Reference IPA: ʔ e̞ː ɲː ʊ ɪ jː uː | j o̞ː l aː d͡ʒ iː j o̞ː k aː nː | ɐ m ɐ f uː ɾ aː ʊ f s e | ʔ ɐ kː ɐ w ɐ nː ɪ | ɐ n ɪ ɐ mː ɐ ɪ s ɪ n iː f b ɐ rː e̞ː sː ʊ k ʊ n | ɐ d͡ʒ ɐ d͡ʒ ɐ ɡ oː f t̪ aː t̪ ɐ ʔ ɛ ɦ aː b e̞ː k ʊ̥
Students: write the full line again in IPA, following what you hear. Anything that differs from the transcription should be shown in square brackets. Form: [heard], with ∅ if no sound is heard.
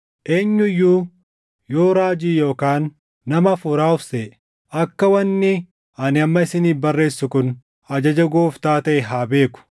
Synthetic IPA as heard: ʔ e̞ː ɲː ʊ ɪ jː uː | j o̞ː [ɾ] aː d͡ʒ iː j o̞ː k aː nː | ɐ m ɐ f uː ɾ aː ʊ f s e | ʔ ɐ kː ɐ w ɐ nː ɪ | ɐ n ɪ ɐ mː ɐ ɪ s ɪ n iː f b ɐ rː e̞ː sː ʊ k ʊ n | ɐ d͡ʒ ɐ d͡ʒ ɐ ɡ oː f t̪ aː t̪ ɐ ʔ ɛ ɦ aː b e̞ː k ʊ̥